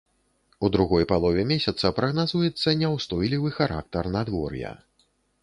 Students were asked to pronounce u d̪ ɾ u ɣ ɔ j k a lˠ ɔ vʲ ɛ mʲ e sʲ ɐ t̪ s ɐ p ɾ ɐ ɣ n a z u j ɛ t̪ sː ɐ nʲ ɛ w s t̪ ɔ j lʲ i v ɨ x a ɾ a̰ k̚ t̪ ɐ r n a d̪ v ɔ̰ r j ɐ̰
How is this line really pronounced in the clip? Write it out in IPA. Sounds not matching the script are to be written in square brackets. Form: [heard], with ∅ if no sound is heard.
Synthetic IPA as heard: u d̪ ɾ u ɣ ɔ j [p] a lˠ ɔ vʲ ɛ mʲ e sʲ ɐ t̪ s ɐ p ɾ ɐ ɣ n a z u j ɛ t̪ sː ɐ nʲ ɛ w s t̪ ɔ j lʲ i v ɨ x a ɾ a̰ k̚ t̪ ɐ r n a d̪ v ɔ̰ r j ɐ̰